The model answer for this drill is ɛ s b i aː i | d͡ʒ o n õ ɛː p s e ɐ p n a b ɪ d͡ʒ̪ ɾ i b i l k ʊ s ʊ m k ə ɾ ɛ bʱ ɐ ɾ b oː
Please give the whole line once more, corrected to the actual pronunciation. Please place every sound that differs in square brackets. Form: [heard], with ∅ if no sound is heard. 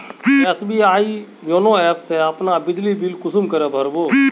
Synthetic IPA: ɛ s b i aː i | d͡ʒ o n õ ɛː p s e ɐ p n a b ɪ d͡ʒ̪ [l] i b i l k ʊ s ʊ m k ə ɾ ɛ bʱ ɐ ɾ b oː

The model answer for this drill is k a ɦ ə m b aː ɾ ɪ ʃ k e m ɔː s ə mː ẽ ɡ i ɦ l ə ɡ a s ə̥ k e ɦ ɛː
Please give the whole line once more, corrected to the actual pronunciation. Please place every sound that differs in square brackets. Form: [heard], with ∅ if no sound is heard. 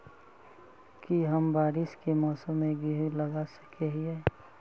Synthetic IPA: k [i] ɦ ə m b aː ɾ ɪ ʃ k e m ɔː s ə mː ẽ ɡ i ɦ l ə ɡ a s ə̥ k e ɦ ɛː

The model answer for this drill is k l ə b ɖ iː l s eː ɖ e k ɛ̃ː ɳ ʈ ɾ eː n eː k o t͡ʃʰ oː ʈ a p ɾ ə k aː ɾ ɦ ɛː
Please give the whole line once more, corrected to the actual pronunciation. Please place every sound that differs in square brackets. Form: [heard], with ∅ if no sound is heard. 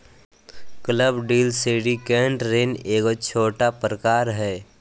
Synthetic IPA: k l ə b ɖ iː l s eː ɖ [i] k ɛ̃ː ɳ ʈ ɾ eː n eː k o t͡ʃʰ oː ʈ a p ɾ ə k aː ɾ ɦ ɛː

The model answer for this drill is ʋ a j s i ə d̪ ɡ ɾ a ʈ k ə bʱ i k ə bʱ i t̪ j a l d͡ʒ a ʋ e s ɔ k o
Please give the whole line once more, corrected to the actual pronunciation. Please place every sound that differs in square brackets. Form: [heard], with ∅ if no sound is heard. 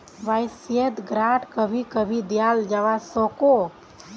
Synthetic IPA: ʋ a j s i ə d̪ ɡ ɾ a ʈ k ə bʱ i k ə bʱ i [d̪] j a l d͡ʒ a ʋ [a] s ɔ k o

